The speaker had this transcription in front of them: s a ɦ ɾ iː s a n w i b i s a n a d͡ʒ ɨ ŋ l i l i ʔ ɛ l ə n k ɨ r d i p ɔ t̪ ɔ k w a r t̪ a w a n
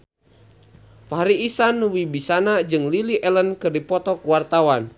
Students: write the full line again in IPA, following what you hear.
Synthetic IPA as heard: f a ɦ ɾ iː s a n w i b i s a n a d͡ʒ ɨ ŋ l i l i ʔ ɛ l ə n k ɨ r d i p ɔ t̪ ɔ k w a r t̪ a w a n